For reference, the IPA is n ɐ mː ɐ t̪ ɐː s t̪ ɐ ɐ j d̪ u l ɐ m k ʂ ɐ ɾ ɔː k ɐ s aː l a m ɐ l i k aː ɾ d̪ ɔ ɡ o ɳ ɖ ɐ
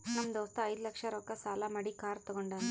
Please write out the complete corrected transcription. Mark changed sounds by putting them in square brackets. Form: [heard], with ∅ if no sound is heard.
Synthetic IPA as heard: n ɐ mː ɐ [d̪] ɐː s t̪ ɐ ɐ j d̪ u l ɐ [∅] k ʂ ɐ ɾ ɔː k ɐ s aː l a m ɐ [ɽ] i k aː ɾ [t̪] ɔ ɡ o ɳ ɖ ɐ